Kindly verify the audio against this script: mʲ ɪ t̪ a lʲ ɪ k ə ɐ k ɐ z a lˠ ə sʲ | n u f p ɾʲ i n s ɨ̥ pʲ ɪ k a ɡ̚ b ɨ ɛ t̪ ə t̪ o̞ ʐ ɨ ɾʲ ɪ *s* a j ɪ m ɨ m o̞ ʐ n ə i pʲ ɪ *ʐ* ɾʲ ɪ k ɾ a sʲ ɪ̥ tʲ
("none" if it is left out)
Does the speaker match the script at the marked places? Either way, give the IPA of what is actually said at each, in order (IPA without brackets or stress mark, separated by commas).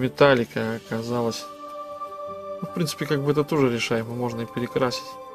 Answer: ʂ, none